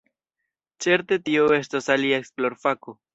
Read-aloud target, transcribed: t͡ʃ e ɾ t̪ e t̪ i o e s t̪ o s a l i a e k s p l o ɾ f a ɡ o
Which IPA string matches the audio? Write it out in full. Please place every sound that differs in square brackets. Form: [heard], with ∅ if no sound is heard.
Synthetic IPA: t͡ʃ e ɾ t̪ e t̪ i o e s t̪ o s a l i a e k s p l o ɾ f a [k] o